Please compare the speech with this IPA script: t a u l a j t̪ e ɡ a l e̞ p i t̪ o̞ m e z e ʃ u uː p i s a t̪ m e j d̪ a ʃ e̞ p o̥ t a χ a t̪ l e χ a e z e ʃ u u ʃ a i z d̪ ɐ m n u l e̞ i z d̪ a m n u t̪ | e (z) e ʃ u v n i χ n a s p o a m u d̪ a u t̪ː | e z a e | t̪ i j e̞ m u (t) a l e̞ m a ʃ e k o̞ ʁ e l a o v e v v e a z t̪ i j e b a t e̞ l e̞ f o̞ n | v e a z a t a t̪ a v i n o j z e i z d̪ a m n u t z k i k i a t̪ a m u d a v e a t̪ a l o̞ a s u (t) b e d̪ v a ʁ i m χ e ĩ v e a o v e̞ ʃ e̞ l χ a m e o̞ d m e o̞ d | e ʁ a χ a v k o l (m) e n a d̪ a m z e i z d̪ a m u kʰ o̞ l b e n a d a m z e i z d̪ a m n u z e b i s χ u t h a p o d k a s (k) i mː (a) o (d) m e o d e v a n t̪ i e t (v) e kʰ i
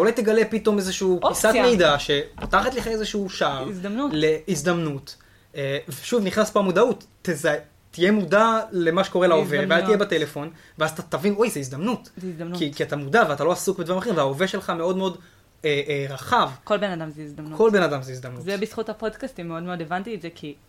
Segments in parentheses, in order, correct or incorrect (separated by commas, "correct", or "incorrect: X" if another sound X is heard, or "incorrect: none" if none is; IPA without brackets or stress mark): incorrect: v, incorrect: d, incorrect: k, incorrect: b, incorrect: t, incorrect: e, correct, incorrect: z